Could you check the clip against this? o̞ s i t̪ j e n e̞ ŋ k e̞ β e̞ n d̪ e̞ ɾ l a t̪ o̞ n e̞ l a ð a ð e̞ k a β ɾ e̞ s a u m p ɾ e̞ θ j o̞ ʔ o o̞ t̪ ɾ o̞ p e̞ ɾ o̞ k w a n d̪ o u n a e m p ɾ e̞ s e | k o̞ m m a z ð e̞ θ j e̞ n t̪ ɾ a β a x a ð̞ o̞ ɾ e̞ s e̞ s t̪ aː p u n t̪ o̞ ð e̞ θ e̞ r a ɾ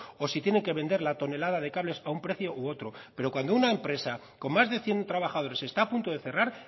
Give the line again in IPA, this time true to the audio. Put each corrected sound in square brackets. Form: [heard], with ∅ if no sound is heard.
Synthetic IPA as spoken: o̞ s i t̪ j e n e̞ ŋ k e̞ β e̞ n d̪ e̞ ɾ l a t̪ o̞ n e̞ l a ð a ð e̞ k a β [l] e̞ s a u m p ɾ e̞ θ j o̞ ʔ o o̞ t̪ ɾ o̞ p e̞ ɾ o̞ k w a n d̪ o u n a e m p ɾ e̞ s [a] | k o̞ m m a z ð e̞ θ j e̞ n t̪ ɾ a β a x a ð̞ o̞ ɾ e̞ s e̞ s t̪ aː p u n t̪ o̞ ð e̞ θ e̞ r a ɾ

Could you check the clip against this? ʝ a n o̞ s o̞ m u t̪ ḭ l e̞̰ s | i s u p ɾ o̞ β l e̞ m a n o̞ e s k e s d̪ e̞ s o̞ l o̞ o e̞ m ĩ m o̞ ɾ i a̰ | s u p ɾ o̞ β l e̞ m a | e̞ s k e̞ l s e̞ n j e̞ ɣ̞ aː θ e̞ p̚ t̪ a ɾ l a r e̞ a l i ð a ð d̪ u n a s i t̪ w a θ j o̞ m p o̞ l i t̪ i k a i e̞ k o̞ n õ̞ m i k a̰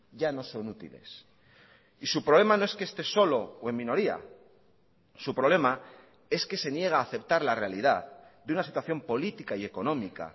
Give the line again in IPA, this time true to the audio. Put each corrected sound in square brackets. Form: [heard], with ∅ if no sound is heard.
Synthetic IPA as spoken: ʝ a n o̞ s o̞ [n] u t̪ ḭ l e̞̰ s | i s u p ɾ o̞ β l e̞ m a n o̞ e s k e s [t̪] e̞ s o̞ l o̞ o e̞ m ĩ [n] o̞ ɾ i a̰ | s u p ɾ o̞ β l e̞ m a | e̞ s k e̞ [∅] s e̞ n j e̞ ɣ̞ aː θ e̞ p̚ t̪ a ɾ l a r e̞ a l i ð a ð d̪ u n a s i t̪ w a θ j o̞ m p o̞ l i t̪ i k a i e̞ k o̞ n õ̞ m i k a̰

